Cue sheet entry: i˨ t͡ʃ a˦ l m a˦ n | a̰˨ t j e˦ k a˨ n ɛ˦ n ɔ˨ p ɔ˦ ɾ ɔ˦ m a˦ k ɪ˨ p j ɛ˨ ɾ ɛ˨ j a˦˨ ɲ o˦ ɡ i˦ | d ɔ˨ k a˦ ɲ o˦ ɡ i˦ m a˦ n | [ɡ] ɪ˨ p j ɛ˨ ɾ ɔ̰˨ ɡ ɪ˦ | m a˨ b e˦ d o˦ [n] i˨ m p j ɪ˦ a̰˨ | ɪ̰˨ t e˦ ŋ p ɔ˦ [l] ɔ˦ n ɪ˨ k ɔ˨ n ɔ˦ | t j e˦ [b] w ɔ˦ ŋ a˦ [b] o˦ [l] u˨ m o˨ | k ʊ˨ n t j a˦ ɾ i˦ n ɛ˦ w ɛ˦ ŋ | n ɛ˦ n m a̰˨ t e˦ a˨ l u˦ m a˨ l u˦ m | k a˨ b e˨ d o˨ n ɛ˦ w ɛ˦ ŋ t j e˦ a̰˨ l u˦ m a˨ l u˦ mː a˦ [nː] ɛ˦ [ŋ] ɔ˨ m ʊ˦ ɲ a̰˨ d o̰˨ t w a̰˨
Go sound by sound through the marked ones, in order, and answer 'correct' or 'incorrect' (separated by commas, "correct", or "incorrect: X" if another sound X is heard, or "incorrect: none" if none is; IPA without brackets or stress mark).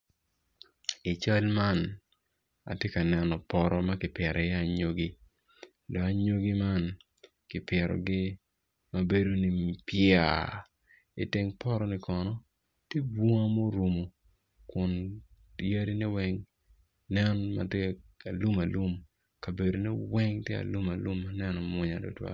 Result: incorrect: k, correct, incorrect: ɾ, correct, incorrect: m, incorrect: ɾ, incorrect: n, incorrect: n